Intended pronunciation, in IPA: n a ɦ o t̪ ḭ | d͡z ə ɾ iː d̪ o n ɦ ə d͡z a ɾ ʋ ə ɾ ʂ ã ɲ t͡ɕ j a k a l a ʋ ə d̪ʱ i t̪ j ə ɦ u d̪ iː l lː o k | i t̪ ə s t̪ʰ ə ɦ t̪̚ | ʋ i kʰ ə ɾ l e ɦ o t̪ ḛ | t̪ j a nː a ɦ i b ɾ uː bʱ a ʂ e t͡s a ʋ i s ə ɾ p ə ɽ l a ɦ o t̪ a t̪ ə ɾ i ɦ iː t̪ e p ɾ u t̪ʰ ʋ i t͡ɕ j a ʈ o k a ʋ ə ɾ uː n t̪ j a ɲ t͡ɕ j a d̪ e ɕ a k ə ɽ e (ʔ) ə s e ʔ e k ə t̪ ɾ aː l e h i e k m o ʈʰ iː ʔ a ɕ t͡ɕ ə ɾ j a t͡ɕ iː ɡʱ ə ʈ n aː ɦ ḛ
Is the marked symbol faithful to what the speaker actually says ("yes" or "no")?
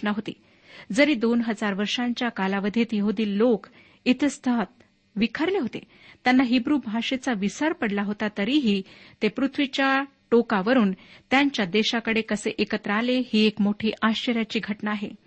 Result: no